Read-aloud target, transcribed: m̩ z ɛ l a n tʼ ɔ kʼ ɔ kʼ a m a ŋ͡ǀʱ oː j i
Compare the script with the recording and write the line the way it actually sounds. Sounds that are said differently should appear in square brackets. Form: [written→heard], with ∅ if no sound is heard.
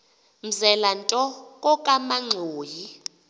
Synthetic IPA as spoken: m̩ z ɛ l a n tʼ ɔ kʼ ɔ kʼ a m a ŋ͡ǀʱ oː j i